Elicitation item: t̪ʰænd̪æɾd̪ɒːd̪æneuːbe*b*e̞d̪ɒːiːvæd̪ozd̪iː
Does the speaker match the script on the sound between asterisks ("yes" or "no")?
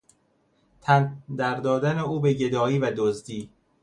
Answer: no